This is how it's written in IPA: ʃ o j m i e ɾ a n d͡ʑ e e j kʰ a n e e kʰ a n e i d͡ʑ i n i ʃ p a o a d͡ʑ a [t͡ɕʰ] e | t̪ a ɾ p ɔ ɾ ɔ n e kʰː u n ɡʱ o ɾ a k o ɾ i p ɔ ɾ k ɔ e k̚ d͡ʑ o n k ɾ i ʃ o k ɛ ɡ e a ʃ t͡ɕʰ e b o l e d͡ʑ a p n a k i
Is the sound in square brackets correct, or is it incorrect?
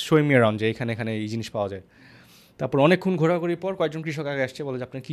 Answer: incorrect